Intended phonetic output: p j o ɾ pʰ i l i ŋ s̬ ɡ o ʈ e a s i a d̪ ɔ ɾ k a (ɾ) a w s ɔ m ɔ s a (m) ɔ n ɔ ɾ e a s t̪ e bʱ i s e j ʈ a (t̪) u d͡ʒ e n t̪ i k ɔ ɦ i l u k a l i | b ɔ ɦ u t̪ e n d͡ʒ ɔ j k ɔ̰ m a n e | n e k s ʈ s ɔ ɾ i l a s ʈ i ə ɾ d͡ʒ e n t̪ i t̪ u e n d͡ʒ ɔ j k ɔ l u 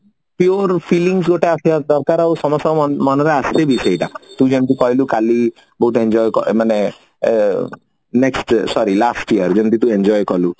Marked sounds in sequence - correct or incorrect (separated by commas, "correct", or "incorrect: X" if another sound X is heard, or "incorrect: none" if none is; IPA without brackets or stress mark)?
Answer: correct, correct, correct